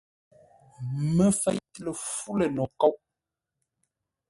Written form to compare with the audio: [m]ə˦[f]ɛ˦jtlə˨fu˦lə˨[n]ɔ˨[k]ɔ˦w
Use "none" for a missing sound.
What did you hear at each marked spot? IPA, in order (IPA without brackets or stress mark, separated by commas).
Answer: m, f, n, k